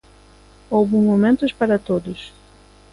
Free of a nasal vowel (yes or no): no